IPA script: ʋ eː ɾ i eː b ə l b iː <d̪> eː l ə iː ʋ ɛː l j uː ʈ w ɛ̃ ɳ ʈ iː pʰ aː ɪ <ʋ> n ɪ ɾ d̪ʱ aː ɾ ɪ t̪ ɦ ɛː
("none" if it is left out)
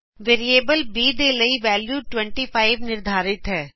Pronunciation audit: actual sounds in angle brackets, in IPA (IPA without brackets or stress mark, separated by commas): d̪, ʋ